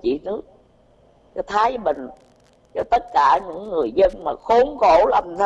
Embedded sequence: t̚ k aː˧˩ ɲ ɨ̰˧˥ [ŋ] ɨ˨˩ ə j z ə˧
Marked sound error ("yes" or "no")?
yes